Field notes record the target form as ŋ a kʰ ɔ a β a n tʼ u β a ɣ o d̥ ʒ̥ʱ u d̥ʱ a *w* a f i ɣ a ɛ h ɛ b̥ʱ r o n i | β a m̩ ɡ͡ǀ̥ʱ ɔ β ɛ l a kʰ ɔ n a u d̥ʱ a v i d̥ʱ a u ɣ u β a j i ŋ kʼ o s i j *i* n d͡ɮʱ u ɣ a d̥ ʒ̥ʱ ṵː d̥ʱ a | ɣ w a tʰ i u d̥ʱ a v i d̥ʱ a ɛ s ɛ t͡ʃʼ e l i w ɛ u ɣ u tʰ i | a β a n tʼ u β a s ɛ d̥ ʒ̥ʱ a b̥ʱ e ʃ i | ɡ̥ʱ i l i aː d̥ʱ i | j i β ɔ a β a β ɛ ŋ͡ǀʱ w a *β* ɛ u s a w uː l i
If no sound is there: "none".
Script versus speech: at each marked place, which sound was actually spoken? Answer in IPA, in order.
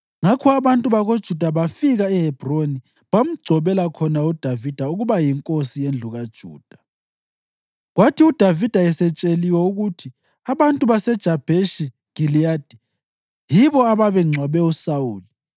β, e, β

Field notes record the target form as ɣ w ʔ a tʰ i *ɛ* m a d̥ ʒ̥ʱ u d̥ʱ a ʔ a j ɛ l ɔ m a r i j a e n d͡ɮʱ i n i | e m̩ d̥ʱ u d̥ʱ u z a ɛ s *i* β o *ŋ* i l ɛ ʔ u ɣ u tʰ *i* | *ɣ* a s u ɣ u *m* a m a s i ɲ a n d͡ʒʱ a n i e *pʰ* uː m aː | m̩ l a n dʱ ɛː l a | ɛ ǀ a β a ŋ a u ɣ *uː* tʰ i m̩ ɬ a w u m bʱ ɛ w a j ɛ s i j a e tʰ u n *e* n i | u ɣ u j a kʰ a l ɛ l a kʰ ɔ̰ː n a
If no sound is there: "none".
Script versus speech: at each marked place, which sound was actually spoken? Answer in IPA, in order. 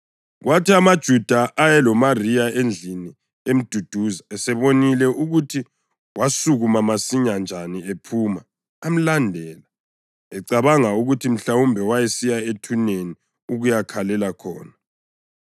a, ɛ, n, i, w, m, pʰ, u, e

